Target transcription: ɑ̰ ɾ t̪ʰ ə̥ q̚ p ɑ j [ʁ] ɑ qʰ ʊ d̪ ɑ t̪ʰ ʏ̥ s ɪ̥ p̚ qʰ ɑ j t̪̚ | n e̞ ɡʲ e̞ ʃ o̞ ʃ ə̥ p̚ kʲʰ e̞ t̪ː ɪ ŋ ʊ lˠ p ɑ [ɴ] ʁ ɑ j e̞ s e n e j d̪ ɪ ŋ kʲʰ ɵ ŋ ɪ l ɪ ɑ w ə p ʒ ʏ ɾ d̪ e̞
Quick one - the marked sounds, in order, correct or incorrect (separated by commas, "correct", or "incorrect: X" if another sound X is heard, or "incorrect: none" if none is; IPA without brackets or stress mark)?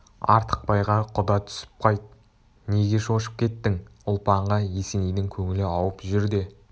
correct, correct